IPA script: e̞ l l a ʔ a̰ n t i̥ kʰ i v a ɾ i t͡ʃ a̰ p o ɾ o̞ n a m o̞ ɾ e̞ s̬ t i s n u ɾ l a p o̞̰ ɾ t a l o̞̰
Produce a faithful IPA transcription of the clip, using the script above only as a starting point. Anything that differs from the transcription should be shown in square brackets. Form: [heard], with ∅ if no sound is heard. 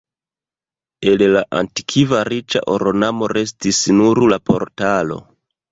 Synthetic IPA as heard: e̞ l l a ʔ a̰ n t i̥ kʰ i v a ɾ i t͡ʃ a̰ [ʔ] o ɾ o̞ n a m o̞ ɾ e̞ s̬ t i s n u ɾ l a p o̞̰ ɾ t a l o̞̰

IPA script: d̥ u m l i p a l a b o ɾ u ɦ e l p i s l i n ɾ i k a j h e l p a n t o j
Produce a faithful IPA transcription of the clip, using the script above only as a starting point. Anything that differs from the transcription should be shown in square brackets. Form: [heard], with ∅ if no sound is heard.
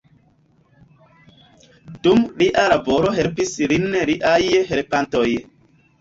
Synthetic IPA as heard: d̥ u m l i [ʔ] a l a b o ɾ [o] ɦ e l p i s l i n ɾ i [ʔ] a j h e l p a n t o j

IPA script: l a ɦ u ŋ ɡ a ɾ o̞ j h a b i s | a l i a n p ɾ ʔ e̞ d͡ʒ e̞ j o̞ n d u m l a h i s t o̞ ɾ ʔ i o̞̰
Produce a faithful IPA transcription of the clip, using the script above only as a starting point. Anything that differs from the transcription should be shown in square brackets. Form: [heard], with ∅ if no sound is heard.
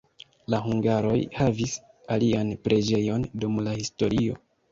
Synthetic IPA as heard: l a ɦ u ŋ ɡ a ɾ o̞ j h a [v] i s | a l i a n p ɾ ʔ e̞ d͡ʒ e̞ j o̞ n d u m l a h i s t o̞ ɾ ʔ i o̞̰

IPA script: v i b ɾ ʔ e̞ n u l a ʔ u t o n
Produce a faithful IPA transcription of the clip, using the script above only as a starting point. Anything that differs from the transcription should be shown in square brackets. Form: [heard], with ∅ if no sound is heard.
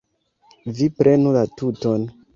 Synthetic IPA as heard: v i [p] ɾ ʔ e̞ n u l a [t] u t o n

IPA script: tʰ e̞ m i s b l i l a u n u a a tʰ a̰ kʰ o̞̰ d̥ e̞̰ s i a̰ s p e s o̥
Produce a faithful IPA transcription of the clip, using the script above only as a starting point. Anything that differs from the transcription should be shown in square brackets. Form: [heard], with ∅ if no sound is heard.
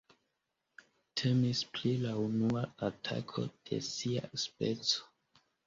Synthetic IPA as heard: tʰ e̞ m i s [p] l i l a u n u a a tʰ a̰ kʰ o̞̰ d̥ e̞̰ s i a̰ s p e [t͡s] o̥

